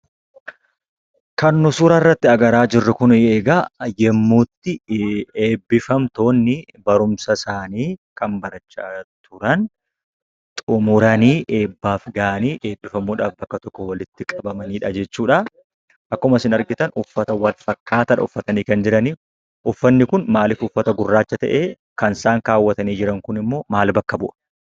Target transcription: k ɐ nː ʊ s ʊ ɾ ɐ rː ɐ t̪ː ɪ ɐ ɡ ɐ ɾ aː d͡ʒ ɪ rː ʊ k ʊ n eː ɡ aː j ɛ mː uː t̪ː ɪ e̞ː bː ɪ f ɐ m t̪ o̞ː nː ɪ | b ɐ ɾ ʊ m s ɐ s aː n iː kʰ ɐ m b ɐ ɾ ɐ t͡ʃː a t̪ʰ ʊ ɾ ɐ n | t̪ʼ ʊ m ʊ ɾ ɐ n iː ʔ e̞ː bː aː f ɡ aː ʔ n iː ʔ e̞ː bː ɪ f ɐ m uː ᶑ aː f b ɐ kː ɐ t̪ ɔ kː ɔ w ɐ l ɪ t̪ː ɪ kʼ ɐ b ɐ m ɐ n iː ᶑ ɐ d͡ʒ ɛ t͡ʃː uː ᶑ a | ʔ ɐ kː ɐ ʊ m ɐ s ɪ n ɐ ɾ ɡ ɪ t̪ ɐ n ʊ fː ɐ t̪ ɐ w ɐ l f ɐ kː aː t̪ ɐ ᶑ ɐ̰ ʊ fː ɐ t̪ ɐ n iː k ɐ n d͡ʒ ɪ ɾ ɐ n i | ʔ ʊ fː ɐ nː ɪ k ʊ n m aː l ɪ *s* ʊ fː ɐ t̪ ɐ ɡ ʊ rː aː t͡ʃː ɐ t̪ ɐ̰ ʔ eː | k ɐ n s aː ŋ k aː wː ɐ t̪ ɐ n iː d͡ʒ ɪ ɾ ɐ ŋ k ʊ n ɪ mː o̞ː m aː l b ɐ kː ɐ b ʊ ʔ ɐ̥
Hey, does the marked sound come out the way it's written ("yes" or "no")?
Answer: no